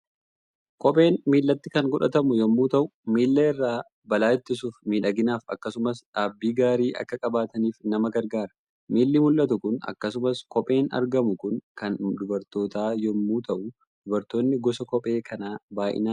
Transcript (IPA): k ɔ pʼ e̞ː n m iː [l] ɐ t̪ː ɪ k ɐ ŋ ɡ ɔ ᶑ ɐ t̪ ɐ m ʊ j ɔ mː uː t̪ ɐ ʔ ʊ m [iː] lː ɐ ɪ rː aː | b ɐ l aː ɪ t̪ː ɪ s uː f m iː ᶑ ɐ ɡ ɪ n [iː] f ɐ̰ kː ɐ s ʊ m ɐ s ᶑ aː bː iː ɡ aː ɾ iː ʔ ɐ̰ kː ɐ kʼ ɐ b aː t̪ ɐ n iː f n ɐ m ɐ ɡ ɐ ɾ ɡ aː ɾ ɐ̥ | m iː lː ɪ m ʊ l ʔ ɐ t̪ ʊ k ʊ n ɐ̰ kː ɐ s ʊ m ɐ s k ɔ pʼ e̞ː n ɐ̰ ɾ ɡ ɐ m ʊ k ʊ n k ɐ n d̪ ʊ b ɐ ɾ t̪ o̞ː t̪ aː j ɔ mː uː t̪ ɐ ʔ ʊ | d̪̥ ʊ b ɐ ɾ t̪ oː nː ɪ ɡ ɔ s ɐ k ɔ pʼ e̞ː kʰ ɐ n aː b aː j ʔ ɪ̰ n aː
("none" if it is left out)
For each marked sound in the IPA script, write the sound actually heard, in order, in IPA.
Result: lː, iː, aː

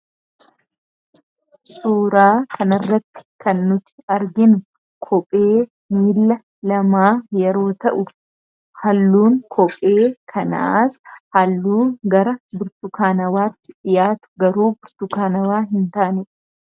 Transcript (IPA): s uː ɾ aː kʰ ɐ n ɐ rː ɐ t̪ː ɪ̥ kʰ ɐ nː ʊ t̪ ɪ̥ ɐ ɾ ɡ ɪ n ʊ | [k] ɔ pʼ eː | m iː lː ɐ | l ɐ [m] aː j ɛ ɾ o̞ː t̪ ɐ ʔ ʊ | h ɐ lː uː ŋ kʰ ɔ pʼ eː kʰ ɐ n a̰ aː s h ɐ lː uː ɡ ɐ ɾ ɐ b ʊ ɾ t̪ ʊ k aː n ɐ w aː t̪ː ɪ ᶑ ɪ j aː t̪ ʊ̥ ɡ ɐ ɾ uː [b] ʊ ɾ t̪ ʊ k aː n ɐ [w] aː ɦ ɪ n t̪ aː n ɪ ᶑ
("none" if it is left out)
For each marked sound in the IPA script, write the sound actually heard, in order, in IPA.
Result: kʰ, m, b, w

